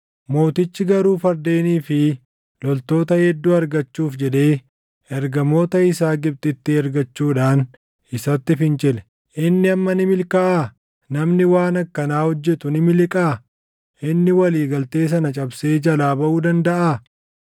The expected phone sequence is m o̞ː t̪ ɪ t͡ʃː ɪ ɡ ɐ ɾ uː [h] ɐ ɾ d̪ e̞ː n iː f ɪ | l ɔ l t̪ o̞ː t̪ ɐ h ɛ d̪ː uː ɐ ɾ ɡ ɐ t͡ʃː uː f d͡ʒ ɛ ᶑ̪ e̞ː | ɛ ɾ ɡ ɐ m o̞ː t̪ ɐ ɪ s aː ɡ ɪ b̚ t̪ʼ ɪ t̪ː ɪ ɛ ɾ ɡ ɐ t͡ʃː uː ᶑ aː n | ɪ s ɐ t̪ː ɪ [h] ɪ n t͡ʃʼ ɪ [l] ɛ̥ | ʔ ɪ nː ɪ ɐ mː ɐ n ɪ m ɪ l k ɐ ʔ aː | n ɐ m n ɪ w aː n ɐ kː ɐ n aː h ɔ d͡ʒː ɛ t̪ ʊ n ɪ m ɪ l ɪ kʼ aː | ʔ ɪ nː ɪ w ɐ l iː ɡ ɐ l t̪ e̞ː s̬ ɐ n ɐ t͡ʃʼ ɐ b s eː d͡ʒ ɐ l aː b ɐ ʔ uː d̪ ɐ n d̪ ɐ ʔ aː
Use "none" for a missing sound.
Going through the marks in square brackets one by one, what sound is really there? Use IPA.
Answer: f, f, l

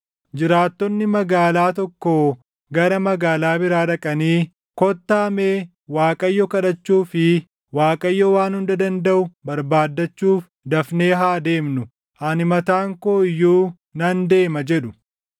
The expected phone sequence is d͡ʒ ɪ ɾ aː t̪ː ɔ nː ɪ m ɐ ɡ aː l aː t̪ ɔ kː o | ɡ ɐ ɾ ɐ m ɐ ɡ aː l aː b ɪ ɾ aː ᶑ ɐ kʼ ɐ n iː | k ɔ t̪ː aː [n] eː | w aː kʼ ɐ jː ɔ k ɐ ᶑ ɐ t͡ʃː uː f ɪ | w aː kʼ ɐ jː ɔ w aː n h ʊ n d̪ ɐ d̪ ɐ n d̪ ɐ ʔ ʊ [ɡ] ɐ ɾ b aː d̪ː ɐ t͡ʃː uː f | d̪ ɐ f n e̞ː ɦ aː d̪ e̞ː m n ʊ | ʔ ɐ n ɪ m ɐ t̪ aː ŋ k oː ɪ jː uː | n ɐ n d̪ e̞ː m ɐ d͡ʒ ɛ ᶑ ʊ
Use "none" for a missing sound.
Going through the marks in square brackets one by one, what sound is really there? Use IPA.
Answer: m, b

